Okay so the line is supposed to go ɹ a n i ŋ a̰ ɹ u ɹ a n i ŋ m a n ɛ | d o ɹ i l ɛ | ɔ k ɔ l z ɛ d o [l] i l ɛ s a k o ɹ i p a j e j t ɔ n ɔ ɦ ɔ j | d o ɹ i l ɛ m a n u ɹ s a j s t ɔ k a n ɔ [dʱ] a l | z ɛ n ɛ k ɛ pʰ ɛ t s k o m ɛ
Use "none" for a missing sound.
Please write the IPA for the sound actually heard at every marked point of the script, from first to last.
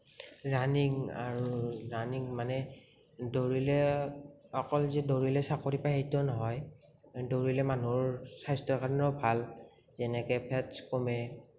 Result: ɹ, bʱ

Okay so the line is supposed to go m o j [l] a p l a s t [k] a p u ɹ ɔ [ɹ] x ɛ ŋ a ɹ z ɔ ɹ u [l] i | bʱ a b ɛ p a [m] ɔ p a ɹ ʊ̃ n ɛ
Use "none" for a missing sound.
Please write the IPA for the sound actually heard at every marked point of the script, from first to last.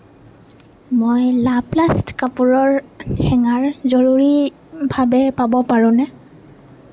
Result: l, k, ɹ, ɹ, b

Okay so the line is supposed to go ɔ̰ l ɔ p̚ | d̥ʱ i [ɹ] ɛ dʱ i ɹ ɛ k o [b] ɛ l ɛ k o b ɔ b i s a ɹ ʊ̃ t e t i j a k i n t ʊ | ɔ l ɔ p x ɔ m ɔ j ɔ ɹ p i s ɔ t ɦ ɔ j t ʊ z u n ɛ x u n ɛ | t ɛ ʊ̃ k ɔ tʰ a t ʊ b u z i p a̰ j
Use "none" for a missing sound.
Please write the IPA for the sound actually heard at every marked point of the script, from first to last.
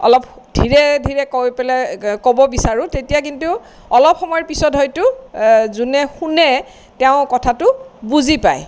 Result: ɹ, p

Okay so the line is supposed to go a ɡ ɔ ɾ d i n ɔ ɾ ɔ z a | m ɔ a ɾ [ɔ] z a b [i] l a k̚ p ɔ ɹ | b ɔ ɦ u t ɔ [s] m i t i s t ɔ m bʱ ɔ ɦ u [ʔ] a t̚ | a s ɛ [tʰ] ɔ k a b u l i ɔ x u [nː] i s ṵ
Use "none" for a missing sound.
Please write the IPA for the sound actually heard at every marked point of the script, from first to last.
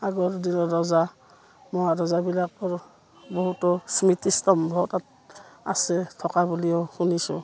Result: ɔ, i, s, t, tʰ, n

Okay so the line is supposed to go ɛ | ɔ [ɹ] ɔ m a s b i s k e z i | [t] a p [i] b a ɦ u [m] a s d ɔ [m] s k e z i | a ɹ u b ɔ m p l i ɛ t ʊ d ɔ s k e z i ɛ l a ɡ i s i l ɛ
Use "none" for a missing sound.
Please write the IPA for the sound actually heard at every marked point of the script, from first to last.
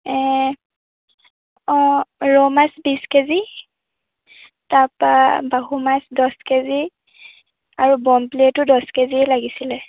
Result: ɹ, t, a, m, none

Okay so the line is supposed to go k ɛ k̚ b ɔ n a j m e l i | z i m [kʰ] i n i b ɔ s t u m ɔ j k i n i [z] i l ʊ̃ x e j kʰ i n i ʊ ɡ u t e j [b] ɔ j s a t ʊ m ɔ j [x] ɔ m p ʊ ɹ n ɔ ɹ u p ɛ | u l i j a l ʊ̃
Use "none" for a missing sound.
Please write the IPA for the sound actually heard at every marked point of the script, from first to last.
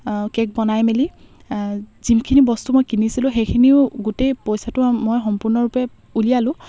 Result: kʰ, s, p, x

